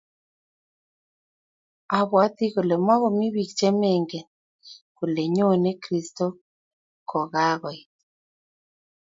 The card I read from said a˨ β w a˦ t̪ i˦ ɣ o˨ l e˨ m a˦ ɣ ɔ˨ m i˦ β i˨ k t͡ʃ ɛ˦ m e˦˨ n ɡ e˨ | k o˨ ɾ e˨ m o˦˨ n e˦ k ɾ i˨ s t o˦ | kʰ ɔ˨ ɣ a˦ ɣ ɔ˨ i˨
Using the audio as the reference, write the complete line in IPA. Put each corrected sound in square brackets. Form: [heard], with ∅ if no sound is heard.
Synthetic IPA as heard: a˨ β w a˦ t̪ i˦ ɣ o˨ l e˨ m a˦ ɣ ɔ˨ m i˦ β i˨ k t͡ʃ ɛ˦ m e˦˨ [ŋ] ɡ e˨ | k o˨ [l] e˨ [ɲ] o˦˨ n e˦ k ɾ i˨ s t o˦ | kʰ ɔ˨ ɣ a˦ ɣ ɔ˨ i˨

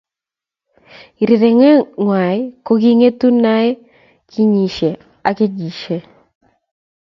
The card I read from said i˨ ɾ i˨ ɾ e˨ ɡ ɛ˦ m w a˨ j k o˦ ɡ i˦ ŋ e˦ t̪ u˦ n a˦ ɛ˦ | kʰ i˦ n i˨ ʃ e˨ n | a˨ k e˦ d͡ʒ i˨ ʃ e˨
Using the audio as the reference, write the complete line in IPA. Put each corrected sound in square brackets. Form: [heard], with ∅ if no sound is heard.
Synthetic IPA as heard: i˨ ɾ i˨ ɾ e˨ [ŋ] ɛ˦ [ŋ] w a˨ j k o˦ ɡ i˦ ŋ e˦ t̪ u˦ n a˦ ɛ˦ | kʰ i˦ [ɲ] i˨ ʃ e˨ [∅] | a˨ k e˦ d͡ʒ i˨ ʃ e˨

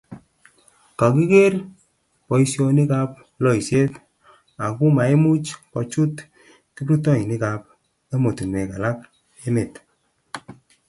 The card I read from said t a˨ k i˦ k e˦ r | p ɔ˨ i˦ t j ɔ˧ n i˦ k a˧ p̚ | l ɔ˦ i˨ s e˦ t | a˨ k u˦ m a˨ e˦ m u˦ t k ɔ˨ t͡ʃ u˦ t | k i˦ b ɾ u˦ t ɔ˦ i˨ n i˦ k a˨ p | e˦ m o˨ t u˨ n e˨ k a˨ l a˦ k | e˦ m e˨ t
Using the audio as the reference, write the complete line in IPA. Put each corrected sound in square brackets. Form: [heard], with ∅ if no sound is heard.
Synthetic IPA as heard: [k] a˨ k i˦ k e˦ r | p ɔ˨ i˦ [s] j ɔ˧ n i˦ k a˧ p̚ | l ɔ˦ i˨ s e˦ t | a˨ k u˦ m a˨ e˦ m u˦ [t͡ʃ] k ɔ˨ t͡ʃ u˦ t | k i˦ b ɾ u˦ t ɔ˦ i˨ n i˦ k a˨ p | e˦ m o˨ t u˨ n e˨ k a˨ l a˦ k | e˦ m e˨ t

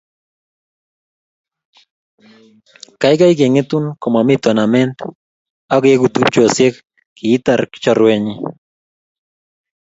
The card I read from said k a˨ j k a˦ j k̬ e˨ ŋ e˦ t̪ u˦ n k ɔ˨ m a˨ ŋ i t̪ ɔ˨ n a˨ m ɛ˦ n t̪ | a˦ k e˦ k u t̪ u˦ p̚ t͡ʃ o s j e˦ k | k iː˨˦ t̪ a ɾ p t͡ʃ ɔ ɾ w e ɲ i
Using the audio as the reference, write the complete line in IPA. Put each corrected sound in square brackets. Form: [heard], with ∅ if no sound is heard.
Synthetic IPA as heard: k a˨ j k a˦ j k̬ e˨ ŋ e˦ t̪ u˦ n k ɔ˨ m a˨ [m] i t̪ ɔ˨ n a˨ m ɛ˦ n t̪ | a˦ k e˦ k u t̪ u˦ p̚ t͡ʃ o s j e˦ k | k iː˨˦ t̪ a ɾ [k] t͡ʃ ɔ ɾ w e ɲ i

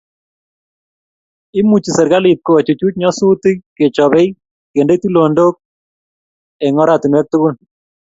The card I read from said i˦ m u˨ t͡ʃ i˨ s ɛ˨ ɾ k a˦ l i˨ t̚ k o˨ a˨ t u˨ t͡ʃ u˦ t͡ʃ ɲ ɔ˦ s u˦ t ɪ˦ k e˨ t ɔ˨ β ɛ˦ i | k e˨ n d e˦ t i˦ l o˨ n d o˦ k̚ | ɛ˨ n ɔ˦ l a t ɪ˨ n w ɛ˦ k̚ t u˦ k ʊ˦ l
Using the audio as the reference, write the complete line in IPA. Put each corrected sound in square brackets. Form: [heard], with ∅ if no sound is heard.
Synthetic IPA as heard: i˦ m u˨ t͡ʃ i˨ s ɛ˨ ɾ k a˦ l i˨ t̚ k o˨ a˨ [t͡ʃ] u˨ t͡ʃ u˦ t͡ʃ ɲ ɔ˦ s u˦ t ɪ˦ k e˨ [t͡ʃ] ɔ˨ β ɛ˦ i | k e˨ n d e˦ t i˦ l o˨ n d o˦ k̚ | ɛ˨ [ŋ] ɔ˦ [ɾ] a t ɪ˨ n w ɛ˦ k̚ t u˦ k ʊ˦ l

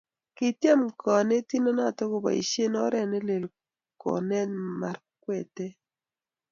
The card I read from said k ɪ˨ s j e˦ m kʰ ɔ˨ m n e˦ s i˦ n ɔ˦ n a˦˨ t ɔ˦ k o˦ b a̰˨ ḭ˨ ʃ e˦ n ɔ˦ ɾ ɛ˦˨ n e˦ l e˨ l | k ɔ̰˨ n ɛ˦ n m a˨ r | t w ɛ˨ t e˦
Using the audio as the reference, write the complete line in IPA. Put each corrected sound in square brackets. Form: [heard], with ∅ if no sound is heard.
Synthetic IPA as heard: k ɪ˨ [t] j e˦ m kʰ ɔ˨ [∅] n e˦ [t] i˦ n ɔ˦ n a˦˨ t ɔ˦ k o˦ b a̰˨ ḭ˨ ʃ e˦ n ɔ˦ ɾ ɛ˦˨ n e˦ l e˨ l | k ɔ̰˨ n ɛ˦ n m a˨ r | [k] w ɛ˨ t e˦

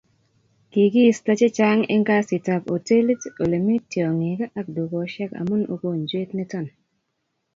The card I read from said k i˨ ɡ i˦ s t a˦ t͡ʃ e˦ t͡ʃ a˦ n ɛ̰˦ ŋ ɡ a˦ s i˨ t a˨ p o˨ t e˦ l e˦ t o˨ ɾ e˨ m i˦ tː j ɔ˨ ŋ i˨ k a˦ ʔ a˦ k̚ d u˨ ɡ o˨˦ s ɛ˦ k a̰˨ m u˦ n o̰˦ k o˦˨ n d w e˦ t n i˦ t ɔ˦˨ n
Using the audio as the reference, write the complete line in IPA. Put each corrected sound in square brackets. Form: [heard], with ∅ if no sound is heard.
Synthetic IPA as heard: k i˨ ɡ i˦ s t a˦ t͡ʃ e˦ t͡ʃ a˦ [ŋ] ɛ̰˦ ŋ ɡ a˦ s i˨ t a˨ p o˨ t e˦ l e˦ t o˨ [l] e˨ m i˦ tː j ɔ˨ ŋ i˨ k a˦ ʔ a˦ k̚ d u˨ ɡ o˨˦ [ʃ] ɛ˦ k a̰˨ m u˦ n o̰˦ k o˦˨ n [d͡ʒ] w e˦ t n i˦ t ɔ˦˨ n

